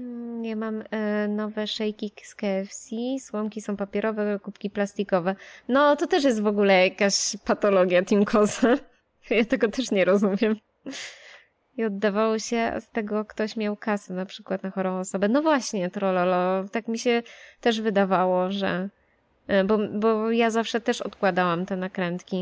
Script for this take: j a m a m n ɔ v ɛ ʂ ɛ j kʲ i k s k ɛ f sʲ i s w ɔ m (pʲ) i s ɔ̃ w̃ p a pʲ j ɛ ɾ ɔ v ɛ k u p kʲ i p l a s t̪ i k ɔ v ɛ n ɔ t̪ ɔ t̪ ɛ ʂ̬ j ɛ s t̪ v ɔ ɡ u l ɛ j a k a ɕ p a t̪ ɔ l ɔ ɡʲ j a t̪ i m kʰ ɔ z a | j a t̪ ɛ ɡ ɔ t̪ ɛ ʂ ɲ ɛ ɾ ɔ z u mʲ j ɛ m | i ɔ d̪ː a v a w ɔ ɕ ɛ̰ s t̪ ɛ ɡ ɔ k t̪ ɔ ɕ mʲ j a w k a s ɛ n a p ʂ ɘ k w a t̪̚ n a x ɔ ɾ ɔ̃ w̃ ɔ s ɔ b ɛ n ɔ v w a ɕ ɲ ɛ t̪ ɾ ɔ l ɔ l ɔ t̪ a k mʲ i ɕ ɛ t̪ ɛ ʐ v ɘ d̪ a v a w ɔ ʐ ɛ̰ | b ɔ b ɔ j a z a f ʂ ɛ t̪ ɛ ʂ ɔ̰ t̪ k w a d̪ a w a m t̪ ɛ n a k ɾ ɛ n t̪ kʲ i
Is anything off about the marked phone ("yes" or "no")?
yes